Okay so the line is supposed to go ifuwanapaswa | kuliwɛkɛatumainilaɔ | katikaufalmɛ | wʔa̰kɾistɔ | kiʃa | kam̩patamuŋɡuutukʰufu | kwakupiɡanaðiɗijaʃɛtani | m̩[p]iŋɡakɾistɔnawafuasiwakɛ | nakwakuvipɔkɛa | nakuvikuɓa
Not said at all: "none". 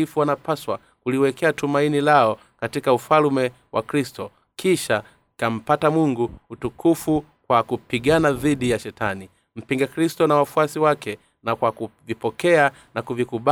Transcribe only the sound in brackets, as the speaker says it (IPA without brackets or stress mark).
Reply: p